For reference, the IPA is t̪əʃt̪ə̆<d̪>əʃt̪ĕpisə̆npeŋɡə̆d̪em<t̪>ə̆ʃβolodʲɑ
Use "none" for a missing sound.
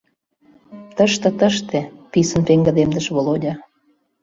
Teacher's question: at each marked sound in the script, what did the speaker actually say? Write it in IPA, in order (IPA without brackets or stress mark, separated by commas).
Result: t̪, d̪